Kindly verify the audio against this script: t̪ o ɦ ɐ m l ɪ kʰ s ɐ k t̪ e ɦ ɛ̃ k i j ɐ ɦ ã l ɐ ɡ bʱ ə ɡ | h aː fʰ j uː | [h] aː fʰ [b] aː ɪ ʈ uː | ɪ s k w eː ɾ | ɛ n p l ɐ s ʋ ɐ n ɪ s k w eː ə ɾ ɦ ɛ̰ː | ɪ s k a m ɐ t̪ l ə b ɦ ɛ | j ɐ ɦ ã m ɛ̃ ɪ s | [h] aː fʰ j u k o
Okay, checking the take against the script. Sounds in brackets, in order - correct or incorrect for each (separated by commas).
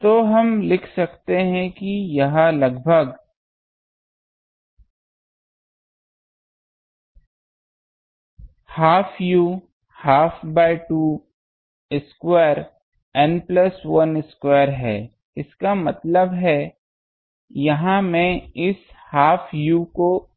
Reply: correct, correct, correct